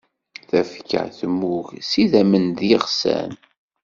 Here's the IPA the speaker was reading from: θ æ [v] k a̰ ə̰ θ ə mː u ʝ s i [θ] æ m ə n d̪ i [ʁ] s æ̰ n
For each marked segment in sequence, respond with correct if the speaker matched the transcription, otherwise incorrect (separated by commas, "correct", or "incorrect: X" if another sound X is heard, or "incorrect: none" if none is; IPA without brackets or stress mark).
incorrect: f, incorrect: ð, correct